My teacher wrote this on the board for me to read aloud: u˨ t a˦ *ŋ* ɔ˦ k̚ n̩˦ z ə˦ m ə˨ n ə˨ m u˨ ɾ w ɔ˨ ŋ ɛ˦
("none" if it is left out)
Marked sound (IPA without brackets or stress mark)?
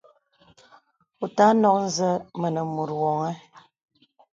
n